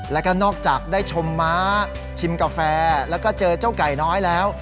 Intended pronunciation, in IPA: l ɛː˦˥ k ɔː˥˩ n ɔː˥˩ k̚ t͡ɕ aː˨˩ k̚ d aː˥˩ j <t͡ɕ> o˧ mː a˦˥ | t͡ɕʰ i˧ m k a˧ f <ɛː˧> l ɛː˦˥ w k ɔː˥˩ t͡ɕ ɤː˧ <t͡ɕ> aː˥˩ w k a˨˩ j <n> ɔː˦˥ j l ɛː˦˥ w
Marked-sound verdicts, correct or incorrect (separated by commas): incorrect, correct, correct, correct